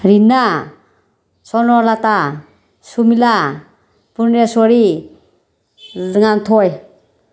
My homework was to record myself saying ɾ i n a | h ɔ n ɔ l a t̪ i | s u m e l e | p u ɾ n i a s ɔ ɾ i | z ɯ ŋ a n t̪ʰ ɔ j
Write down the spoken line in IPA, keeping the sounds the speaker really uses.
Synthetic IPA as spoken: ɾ i n a | s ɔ n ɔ l a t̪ a | s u m i l a | p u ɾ n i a s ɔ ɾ i | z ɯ ŋ a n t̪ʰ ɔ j